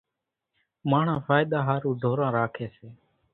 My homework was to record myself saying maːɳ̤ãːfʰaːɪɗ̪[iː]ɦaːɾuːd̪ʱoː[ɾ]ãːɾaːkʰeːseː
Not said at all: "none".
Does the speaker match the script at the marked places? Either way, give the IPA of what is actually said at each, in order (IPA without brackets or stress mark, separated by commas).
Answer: aː, ɾ